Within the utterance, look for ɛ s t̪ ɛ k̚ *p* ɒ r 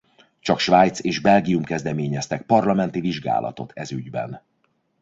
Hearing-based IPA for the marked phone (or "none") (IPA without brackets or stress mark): p